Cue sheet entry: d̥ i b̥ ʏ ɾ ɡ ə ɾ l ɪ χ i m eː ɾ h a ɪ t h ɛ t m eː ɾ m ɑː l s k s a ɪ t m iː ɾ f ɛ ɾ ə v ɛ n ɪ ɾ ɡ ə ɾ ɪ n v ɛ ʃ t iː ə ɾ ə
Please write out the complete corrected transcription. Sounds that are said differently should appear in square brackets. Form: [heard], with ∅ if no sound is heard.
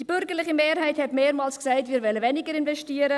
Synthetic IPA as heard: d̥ i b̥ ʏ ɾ ɡ ə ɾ l ɪ χ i m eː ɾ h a ɪ t h ɛ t m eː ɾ m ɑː l s k s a ɪ t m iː ɾ [v] ɛ [l] ə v ɛ n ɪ [∅] ɡ ə ɾ ɪ n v ɛ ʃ t iː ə ɾ ə